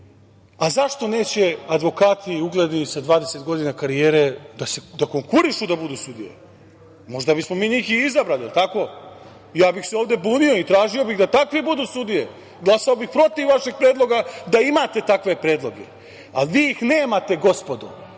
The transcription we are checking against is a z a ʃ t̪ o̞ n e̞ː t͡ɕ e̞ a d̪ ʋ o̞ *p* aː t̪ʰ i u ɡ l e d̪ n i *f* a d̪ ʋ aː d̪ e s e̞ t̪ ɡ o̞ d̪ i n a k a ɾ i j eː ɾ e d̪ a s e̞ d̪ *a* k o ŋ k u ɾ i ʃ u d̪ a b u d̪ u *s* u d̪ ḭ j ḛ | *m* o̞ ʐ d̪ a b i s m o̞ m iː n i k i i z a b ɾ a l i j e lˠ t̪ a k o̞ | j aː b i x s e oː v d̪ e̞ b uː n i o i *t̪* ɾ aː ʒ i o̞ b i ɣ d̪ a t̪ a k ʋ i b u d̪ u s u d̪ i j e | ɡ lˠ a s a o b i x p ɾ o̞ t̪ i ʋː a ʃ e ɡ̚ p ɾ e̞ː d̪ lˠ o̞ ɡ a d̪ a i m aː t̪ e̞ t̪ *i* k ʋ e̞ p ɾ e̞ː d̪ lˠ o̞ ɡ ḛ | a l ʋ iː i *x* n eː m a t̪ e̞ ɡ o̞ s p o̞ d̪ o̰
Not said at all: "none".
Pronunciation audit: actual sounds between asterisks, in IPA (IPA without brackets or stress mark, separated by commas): k, s, a, s, m, t̪, a, x